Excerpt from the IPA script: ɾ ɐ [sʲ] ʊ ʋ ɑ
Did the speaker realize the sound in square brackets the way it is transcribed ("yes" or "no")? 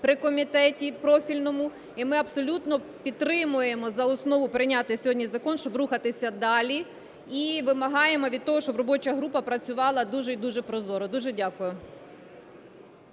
no